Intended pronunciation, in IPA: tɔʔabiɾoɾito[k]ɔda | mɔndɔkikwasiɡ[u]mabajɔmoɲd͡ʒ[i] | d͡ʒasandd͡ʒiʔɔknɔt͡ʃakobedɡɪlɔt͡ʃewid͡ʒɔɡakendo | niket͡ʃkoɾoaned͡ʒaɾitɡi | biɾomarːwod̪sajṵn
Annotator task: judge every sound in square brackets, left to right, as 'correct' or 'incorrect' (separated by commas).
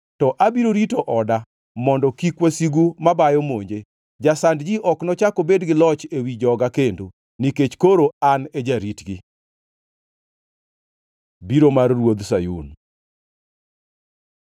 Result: incorrect, correct, incorrect